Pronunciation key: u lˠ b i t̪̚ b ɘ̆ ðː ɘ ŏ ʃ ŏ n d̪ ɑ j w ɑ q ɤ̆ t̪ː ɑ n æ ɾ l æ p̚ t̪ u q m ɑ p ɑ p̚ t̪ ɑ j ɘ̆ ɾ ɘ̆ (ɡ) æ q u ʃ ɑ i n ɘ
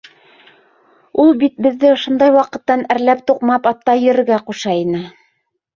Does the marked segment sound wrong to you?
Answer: no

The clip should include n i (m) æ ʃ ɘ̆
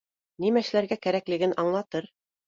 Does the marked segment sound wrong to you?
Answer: no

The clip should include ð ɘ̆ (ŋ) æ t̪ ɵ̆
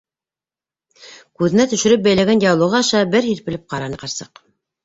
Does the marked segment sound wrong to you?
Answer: yes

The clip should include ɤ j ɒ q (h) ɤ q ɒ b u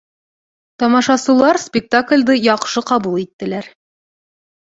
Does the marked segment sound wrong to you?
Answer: yes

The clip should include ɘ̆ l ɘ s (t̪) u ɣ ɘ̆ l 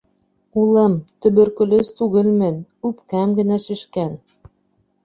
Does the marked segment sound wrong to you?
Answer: no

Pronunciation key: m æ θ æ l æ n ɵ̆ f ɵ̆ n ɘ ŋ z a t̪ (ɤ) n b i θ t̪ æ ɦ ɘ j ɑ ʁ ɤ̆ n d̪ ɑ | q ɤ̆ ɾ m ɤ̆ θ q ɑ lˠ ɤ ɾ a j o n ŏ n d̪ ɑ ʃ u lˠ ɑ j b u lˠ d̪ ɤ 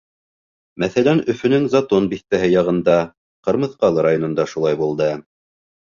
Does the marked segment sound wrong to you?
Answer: yes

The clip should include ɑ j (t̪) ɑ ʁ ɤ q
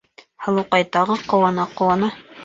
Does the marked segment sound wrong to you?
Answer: no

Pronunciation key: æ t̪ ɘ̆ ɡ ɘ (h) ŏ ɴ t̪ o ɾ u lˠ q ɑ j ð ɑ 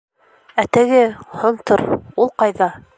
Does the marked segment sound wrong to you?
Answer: no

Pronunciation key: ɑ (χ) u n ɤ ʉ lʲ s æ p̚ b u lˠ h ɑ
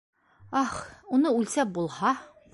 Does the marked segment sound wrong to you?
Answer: no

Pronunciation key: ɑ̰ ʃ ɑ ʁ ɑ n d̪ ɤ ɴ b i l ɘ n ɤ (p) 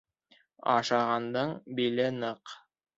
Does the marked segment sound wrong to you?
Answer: yes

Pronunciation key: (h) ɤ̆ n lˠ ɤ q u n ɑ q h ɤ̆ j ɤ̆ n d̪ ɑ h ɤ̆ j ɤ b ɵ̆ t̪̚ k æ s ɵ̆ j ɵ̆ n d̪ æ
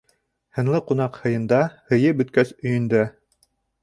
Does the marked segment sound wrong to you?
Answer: no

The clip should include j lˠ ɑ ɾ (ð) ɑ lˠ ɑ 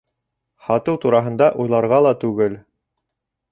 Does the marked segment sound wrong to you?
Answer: yes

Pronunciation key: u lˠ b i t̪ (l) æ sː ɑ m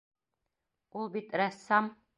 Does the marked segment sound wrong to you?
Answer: yes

